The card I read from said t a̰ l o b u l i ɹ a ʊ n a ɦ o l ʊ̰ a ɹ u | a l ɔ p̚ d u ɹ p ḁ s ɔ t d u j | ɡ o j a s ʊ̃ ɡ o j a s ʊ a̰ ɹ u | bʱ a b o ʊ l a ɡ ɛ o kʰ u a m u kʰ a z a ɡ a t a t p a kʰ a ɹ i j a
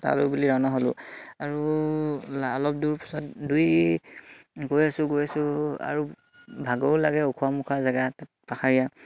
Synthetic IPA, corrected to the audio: t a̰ l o b u l i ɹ a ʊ n a ɦ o l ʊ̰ a ɹ u | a l ɔ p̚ d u ɹ p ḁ s ɔ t d u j | ɡ o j a s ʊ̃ ɡ o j a s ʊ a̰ ɹ u | bʱ a ɡ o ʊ l a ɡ ɛ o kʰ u a m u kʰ a z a ɡ a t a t p a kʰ a ɹ i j a

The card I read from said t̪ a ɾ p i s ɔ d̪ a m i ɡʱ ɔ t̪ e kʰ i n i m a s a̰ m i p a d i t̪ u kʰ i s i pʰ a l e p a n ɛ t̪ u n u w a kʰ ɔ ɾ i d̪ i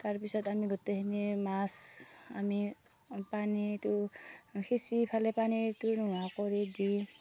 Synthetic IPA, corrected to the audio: t̪ a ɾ p i s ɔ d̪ a m i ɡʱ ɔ t̪ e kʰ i n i m a s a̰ m i p a n i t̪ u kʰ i s i pʰ a l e p a n i t̪ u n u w a k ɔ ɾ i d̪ i

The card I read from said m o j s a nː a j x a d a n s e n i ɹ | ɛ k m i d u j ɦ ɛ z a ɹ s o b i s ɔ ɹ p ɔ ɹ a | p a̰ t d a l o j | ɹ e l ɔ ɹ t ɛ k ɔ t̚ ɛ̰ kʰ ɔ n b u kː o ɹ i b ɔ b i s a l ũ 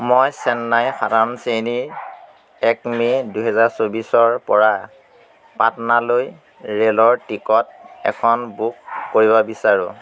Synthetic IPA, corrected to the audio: m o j s ɛ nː a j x a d a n s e n i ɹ | ɛ k m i d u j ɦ ɛ z a ɹ s o b i s ɔ ɹ p ɔ ɹ a | p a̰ t n a l o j | ɹ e l ɔ ɹ t i k ɔ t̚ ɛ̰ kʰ ɔ n b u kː o ɹ i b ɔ b i s a ɹ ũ

